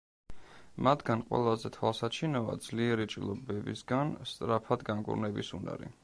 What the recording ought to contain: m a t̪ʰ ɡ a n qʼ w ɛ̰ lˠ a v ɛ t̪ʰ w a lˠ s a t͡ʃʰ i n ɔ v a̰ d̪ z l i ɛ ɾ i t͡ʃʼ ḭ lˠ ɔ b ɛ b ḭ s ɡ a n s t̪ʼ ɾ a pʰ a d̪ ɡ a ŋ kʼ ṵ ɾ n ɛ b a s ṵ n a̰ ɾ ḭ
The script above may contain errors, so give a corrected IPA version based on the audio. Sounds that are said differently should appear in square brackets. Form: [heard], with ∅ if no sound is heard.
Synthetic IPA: m a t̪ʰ ɡ a n qʼ w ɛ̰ lˠ a [z] ɛ t̪ʰ w a lˠ s a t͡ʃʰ i n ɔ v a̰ d̪ z l i ɛ ɾ i t͡ʃʼ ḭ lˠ ɔ b ɛ b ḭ s ɡ a n s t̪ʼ ɾ a pʰ a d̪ ɡ a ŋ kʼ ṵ ɾ n ɛ b [i] s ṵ n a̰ ɾ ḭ